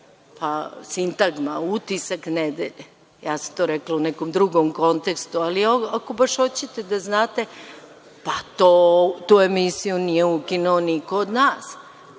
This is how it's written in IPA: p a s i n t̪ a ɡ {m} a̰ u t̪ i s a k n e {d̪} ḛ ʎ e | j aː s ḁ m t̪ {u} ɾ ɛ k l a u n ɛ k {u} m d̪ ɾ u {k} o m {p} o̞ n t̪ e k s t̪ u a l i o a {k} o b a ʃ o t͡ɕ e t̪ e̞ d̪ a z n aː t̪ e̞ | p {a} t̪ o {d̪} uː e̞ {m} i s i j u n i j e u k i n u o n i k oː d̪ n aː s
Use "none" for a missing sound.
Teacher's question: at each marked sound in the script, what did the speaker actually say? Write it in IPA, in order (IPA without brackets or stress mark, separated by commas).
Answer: m, d̪, o, o, ɡ, k, k, a, t̪, m